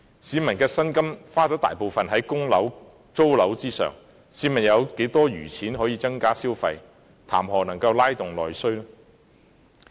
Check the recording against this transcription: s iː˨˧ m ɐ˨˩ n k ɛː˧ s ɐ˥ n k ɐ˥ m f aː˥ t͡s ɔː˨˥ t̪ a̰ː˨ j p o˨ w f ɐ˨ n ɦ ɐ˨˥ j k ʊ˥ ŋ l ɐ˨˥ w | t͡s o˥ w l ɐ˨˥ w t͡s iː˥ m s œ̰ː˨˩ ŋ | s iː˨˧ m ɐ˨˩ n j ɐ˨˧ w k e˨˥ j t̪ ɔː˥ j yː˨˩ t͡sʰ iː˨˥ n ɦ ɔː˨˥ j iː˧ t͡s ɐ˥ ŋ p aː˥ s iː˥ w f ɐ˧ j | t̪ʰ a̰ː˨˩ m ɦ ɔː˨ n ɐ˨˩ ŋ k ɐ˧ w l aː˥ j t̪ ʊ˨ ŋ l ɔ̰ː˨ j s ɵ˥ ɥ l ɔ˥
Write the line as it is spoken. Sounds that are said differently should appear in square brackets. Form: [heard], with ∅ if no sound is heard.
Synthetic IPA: s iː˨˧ m ɐ˨˩ n k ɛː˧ s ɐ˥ n k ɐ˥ m f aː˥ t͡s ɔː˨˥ t̪ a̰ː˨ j p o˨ w f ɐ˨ n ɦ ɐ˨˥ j k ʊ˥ ŋ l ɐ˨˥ w | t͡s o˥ w l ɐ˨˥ w t͡s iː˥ [∅] s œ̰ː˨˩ ŋ | s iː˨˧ m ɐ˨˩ n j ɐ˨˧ w k e˨˥ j t̪ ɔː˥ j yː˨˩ t͡sʰ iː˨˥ n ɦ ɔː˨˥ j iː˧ t͡s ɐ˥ ŋ [k] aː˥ s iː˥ w f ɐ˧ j | t̪ʰ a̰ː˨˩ m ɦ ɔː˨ n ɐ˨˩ ŋ k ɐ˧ w l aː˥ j t̪ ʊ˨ ŋ l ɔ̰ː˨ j s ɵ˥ ɥ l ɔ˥